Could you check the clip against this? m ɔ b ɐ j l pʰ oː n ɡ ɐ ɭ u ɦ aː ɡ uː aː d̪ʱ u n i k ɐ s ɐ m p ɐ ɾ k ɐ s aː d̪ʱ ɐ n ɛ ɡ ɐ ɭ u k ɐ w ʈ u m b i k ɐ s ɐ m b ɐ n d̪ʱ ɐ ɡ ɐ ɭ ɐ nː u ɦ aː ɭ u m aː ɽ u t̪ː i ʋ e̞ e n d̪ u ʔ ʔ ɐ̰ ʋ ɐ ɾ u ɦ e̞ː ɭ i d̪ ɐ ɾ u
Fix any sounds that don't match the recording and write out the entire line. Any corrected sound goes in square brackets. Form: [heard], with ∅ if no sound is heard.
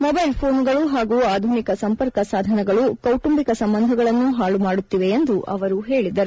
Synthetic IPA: m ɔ b ɐ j l pʰ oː n ɡ ɐ ɭ u ɦ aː ɡ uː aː d̪ʱ u n i k ɐ s ɐ m p ɐ ɾ k ɐ s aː d̪ʱ ɐ n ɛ ɡ ɐ ɭ u k ɐ w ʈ u m b i k ɐ s ɐ m b ɐ n d̪ʱ ɐ ɡ ɐ ɭ ɐ nː u ɦ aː ɭ u m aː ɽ u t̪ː i ʋ e̞ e n d̪ u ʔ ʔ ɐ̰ ʋ ɐ ɾ u ɦ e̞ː ɭ i d̪ ɐ ɾ u